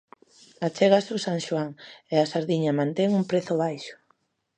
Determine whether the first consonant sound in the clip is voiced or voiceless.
voiceless